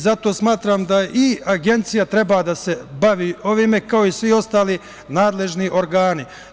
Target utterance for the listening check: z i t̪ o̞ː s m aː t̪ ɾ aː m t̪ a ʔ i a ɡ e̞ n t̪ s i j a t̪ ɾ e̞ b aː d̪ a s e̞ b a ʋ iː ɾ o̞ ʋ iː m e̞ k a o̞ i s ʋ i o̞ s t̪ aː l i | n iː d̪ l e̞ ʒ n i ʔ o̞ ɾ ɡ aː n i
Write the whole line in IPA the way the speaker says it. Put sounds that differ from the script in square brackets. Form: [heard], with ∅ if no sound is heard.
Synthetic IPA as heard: z [a] t̪ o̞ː s m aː t̪ ɾ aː m [d̪] a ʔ i a ɡ e̞ n t̪ s i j a t̪ ɾ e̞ b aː d̪ a s e̞ b a ʋ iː [∅] o̞ ʋ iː m e̞ k a o̞ i s ʋ i o̞ s t̪ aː l i | n [aː] d̪ l e̞ ʒ n i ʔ o̞ ɾ ɡ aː n i